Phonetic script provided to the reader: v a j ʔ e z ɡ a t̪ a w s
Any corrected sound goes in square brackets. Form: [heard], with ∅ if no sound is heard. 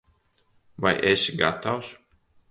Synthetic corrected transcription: v a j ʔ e [s] ɡ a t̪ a w s